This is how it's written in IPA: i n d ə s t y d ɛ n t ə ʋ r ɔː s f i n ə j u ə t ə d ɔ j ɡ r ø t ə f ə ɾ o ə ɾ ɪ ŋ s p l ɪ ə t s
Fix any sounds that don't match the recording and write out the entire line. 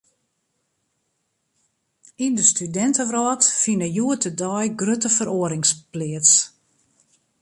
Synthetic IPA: i n d ə s t y d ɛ n t ə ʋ r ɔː t f i n ə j u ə t ə d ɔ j ɡ r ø t ə f ə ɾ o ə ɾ ɪ ŋ s p l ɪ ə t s